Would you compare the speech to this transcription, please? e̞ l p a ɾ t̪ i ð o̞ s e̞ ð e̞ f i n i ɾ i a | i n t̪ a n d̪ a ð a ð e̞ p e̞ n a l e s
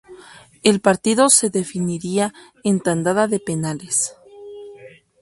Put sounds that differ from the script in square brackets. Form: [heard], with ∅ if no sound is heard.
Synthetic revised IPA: e̞ l p a ɾ t̪ i ð o̞ s e̞ ð e̞ f i n i ɾ i a | [e] n t̪ a n d̪ a ð a ð e̞ p e̞ n a l e s